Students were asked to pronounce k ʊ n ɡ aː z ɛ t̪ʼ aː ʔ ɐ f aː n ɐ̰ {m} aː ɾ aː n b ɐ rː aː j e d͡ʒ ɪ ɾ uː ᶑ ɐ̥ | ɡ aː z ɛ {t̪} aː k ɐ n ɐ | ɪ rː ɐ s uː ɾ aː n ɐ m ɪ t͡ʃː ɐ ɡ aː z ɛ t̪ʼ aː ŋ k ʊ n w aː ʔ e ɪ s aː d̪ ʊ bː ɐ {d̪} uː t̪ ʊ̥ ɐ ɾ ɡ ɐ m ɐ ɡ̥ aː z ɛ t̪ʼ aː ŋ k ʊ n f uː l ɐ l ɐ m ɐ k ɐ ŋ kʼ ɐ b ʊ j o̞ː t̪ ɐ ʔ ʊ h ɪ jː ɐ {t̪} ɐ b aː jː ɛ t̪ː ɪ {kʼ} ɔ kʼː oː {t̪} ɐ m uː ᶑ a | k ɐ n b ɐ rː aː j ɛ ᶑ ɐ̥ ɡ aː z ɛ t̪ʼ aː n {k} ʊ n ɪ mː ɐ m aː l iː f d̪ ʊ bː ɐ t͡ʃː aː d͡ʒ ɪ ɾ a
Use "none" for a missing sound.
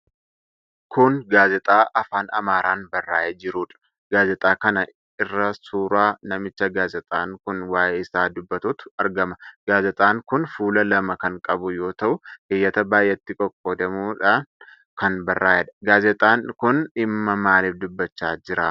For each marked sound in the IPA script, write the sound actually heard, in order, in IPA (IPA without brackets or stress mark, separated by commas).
m, t̪ʼ, t̪, t̪, kʼ, d̪, k